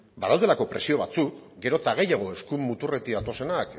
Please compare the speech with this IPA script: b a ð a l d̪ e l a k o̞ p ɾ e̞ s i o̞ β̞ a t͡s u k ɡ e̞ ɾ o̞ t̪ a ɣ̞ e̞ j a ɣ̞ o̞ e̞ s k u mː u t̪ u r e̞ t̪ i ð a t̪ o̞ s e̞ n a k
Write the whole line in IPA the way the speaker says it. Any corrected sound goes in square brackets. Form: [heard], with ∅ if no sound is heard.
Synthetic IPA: b a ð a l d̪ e l a k o̞ p ɾ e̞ s i o̞ β̞ a t͡s u k ɡ e̞ ɾ o̞ t̪ a ɣ̞ e̞ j a ɣ̞ o̞ e̞ s k u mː u t̪ u r e̞ t̪ i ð a t̪ o̞ s e̞ n a k